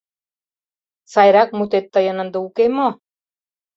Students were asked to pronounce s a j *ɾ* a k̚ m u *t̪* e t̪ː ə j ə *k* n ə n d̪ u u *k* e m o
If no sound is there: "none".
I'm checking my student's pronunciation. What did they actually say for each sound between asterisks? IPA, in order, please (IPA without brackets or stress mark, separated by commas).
ɾ, t̪, none, k